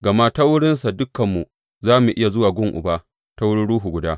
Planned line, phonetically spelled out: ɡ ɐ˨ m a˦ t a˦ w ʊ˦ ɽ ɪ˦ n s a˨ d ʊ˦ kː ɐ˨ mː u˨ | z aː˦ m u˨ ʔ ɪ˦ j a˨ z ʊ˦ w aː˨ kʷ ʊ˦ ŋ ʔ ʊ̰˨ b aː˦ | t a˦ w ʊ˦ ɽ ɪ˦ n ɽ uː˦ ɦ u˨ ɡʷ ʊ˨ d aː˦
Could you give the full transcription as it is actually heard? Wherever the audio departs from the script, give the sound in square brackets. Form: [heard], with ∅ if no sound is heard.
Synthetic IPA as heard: ɡ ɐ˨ m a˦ t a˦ w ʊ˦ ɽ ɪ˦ n s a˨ d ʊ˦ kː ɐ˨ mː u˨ | z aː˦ m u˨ ʔ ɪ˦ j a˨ z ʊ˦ w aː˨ [ɡʷ] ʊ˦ ŋ ʔ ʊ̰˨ b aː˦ | t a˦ w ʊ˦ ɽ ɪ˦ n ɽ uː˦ ɦ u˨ ɡʷ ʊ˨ d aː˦